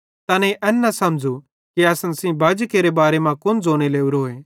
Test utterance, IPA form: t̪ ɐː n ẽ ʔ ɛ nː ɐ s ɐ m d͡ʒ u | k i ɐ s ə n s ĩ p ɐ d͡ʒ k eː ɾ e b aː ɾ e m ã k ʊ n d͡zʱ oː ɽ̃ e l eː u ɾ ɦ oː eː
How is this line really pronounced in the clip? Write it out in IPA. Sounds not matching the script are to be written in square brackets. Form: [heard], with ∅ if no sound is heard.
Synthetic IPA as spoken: t̪ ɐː n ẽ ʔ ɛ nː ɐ s ɐ m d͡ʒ u | k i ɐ s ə n s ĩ [b] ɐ d͡ʒ k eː ɾ e b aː ɾ e m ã k ʊ n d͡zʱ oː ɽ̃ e l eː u ɾ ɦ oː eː